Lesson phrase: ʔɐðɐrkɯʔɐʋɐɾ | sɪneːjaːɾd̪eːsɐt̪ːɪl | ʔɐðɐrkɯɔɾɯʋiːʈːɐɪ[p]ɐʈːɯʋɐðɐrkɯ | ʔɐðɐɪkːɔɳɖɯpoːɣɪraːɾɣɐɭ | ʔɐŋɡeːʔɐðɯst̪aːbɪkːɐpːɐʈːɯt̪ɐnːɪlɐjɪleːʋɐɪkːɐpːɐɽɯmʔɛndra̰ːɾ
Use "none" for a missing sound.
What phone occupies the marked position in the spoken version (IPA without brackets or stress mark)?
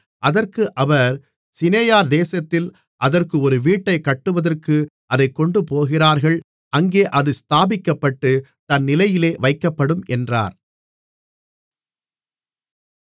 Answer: k